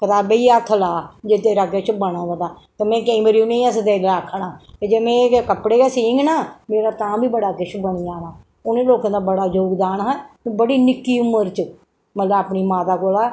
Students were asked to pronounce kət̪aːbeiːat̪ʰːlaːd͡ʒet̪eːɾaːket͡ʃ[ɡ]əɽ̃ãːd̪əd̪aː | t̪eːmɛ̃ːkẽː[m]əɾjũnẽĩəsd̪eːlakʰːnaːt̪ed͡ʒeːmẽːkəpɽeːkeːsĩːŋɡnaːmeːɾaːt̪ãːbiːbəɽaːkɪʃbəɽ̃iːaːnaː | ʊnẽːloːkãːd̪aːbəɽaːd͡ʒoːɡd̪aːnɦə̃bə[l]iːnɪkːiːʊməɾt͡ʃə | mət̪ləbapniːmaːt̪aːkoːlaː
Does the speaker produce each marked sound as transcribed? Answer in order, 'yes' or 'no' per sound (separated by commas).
no, yes, no